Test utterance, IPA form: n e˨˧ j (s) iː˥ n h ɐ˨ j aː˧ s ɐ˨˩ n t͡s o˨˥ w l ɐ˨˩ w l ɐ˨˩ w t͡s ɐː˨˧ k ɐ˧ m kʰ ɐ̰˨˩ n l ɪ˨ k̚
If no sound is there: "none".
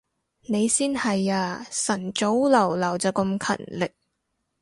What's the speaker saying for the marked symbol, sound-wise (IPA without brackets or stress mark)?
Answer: s